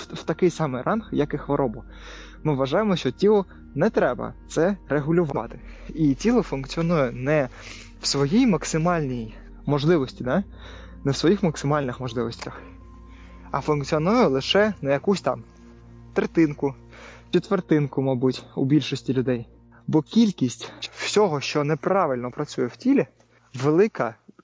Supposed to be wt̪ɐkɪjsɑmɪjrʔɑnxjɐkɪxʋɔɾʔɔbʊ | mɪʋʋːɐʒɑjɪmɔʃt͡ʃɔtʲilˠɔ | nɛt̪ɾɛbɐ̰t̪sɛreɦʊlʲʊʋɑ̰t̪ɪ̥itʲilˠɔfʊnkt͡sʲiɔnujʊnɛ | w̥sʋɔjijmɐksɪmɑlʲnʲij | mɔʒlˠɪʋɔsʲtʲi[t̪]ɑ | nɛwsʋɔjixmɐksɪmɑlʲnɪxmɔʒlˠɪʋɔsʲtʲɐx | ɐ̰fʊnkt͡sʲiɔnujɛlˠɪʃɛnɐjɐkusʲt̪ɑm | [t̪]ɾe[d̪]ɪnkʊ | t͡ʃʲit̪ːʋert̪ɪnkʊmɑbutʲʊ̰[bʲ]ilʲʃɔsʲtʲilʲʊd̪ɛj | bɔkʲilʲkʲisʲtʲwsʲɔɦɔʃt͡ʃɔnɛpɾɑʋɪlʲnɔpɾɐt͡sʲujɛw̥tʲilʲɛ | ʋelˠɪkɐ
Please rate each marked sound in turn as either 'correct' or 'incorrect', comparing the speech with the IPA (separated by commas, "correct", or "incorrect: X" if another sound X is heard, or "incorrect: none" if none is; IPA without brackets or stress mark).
incorrect: d̪, correct, incorrect: t̪, correct